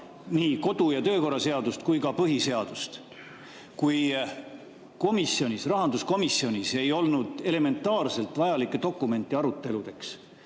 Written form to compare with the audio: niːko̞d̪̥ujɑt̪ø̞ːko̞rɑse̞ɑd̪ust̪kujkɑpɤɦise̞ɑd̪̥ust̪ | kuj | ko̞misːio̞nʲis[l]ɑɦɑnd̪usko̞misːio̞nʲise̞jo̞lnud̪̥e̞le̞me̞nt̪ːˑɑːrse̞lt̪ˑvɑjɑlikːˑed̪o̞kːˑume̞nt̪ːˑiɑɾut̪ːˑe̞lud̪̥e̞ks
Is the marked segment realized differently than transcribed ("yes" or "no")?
yes